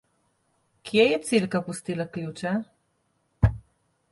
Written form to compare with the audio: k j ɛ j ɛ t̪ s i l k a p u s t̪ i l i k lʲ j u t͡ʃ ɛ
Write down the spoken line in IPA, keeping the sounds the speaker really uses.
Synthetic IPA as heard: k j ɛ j ɛ t̪ s i l k a p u s t̪ i l a k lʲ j u t͡ʃ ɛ